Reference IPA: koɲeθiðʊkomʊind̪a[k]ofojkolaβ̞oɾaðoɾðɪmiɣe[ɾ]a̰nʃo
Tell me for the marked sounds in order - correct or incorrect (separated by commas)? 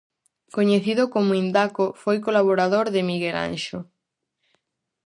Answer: correct, incorrect